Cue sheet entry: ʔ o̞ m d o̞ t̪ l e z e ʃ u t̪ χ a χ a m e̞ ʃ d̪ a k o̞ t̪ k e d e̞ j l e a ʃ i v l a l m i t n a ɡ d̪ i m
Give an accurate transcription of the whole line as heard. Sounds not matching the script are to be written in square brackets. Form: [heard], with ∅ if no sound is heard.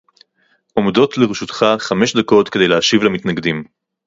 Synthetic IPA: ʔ o̞ m d o̞ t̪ l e [ʁ] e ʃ u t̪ χ a χ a m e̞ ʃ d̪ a k o̞ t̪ k e d e̞ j l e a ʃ i v l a [∅] m i t n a ɡ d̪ i m

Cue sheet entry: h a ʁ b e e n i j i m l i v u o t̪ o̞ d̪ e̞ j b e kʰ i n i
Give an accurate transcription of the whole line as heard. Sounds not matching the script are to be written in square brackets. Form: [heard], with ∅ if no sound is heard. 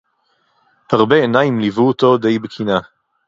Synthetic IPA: h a ʁ b e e n [a] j i m l i v u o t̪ o̞ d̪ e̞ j b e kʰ i n [a]

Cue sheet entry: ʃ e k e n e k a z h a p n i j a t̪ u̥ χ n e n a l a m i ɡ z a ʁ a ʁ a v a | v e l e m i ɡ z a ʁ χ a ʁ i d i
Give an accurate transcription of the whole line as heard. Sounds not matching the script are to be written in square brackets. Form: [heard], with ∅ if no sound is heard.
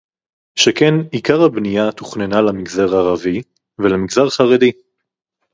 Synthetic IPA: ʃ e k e n [i] k a [ʁ] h a [b] n i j a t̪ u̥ χ n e n a l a m i ɡ z a ʁ a ʁ a v [i] | v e l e m i ɡ z a ʁ χ a ʁ [e] d i

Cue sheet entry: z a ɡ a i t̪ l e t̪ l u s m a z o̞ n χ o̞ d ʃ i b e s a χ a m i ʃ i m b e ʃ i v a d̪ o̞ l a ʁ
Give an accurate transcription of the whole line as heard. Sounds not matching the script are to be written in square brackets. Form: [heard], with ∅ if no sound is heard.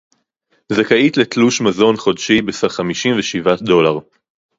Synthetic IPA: z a [k] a i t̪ l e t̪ l u [ʃ] m a z o̞ n χ o̞ d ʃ i b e s a χ a m i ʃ i m [v] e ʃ i v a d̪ o̞ l a ʁ

